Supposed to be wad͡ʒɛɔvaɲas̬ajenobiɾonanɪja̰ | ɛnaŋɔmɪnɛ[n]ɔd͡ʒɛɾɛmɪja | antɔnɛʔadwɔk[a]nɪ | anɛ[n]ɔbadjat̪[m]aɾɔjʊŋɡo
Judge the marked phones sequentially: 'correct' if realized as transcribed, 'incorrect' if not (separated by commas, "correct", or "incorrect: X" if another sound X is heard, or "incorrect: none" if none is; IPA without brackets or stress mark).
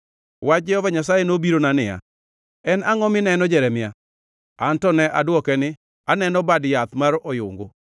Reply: correct, incorrect: ɛ, correct, correct